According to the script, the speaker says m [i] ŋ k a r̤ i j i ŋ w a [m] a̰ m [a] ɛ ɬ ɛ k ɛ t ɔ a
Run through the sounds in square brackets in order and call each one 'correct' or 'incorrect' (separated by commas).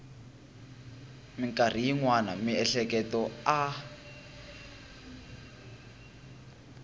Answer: correct, incorrect, incorrect